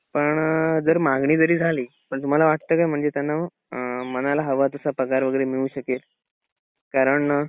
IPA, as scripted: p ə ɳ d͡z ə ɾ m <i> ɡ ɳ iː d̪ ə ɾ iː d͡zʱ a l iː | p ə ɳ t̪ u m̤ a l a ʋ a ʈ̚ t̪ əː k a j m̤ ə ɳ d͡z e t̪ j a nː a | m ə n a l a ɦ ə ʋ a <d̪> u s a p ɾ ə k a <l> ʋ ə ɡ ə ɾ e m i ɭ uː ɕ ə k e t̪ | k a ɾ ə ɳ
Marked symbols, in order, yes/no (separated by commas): no, no, no